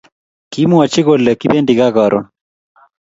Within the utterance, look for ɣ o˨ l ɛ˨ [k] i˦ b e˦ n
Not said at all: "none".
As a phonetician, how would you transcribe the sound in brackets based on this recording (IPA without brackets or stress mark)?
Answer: k